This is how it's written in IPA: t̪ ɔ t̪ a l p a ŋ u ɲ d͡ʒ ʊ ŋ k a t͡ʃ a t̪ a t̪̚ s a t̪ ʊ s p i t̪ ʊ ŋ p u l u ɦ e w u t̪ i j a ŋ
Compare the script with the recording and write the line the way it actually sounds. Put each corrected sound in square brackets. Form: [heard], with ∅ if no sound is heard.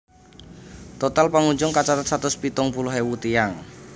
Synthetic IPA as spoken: t̪ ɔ t̪ a l p a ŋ u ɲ d͡ʒ ʊ ŋ k a t͡ʃ a t̪ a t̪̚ s a t̪ ʊ s p i t̪ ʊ ŋ p u l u ɦ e w u t̪ i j a ŋ